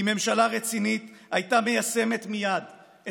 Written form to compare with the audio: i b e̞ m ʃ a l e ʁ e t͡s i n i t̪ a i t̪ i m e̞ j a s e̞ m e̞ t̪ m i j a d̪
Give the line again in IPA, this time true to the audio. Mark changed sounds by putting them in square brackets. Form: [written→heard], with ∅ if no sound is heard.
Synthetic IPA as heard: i [b→m] e̞ m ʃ a l [e→a] ʁ e t͡s i n i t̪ a [i→j] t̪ [i→a] m e̞ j a s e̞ m e̞ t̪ m i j a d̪